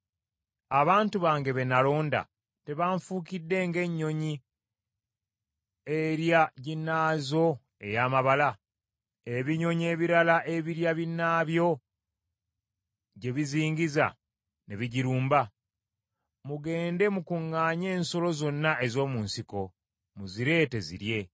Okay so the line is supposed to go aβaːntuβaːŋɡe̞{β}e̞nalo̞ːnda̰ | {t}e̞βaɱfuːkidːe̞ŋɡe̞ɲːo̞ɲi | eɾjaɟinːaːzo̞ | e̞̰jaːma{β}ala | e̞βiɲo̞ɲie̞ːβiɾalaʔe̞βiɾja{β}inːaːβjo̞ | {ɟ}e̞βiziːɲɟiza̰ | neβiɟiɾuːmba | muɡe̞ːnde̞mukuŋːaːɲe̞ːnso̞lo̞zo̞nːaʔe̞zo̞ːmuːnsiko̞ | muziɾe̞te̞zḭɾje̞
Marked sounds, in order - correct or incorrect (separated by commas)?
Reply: correct, correct, correct, correct, correct